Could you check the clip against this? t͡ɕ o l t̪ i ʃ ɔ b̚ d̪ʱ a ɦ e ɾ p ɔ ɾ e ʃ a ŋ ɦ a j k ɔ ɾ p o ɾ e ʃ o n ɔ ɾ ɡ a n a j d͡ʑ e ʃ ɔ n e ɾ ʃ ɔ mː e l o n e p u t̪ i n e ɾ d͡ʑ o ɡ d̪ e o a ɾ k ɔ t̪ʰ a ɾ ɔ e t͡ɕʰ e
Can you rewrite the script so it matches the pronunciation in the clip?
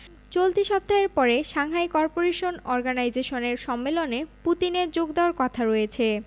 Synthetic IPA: t͡ɕ o l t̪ i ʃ ɔ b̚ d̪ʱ a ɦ e ɾ p ɔ ɾ e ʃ a ŋ ɦ a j k ɔ ɾ p o ɾ e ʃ o n ɔ ɾ ɡ a n a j d͡ʑ e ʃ o n e ɾ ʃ ɔ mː e l o n e p u t̪ i n e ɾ d͡ʑ o ɡ d̪ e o a ɾ k ɔ t̪ʰ a ɾ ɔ e t͡ɕʰ e